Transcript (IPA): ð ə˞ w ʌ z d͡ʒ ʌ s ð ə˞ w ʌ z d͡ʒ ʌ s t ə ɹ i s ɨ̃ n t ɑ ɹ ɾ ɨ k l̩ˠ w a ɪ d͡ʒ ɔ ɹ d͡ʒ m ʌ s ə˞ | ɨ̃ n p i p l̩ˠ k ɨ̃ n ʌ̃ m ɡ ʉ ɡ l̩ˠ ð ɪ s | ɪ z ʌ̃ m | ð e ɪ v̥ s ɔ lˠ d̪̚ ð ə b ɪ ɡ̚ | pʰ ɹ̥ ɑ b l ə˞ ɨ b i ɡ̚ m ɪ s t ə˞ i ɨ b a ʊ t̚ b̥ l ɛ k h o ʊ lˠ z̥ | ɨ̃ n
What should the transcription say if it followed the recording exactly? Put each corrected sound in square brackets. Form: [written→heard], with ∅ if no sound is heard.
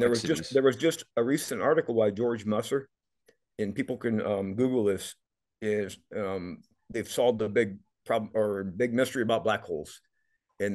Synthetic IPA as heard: ð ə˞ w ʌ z d͡ʒ ʌ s ð ə˞ w ʌ z d͡ʒ ʌ s t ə ɹ i s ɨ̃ n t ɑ ɹ ɾ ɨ k l̩ˠ w a ɪ d͡ʒ ɔ ɹ d͡ʒ m ʌ s ə˞ | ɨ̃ n p i p l̩ˠ k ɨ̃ n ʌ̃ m ɡ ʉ ɡ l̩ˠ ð ɪ s | ɪ z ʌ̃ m | ð e ɪ v̥ s ɔ lˠ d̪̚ ð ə b ɪ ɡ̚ | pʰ ɹ̥ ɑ b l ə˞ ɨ b [i→ɪ] ɡ̚ m ɪ s t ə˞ i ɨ b a ʊ t̚ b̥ l [ɛ→æ] k h o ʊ lˠ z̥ | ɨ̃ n